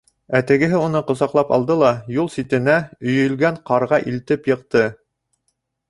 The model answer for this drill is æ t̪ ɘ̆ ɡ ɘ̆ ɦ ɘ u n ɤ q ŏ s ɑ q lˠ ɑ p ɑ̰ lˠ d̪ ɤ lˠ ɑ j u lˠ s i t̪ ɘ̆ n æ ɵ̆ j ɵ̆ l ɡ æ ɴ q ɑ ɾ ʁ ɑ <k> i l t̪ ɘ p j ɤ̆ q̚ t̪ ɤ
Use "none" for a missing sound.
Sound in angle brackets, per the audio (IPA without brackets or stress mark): ʔ